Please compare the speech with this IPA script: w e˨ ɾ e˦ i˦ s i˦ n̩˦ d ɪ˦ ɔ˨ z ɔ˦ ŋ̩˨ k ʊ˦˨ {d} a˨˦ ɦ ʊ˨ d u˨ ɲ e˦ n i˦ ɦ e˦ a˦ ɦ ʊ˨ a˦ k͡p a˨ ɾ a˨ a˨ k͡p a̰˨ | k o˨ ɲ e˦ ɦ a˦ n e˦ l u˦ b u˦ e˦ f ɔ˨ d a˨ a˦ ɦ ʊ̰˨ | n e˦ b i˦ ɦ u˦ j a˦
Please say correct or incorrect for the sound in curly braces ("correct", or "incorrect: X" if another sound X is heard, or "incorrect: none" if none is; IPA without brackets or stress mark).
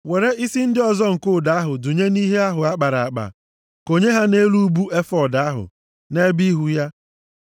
correct